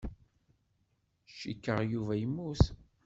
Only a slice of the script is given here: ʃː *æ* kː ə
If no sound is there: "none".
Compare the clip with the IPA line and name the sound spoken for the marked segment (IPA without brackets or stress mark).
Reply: i